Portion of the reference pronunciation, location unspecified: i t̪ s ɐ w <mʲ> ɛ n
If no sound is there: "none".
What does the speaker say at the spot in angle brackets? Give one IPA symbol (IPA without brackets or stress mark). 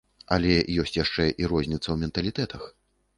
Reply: mʲ